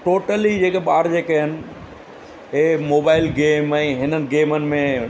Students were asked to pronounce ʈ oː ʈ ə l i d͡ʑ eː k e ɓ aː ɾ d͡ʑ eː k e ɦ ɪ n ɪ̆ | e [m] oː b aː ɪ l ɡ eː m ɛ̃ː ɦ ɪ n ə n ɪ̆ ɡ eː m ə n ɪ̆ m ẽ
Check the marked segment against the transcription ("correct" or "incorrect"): correct